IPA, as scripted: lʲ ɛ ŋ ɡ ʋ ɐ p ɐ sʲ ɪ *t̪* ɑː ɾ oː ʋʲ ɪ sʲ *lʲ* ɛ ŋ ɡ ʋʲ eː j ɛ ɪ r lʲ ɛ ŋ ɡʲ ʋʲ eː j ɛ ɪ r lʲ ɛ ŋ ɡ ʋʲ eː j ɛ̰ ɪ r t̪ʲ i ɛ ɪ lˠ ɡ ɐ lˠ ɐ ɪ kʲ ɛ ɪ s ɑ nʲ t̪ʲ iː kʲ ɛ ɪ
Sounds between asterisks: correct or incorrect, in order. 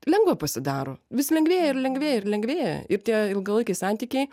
incorrect: d̪, correct

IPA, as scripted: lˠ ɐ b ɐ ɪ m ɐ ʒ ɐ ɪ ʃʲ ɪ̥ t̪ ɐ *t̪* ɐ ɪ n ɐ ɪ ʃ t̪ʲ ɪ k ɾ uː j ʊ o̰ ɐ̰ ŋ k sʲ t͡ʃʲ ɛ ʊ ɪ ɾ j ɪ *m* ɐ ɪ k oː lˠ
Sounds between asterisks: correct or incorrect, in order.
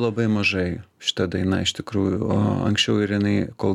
incorrect: d̪, incorrect: n

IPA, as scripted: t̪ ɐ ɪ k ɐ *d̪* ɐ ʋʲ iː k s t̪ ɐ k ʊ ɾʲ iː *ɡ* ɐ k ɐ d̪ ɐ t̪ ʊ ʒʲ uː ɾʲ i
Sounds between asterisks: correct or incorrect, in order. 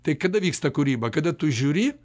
correct, incorrect: b

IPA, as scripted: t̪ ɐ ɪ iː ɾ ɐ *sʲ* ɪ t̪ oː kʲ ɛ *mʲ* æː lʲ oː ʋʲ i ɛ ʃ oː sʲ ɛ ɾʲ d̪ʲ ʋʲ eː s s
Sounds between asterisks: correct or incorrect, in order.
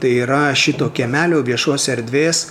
incorrect: ʃʲ, correct

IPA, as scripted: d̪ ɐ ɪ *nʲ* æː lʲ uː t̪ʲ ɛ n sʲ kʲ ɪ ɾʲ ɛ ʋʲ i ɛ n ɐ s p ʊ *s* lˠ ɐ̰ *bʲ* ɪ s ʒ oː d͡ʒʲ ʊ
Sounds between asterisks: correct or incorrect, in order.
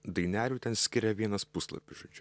correct, correct, incorrect: pʲ

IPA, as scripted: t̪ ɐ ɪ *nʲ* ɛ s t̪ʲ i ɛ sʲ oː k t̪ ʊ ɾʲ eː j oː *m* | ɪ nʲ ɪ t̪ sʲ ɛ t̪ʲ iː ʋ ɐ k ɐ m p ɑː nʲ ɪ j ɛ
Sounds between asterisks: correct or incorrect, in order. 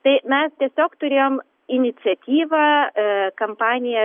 incorrect: mʲ, correct

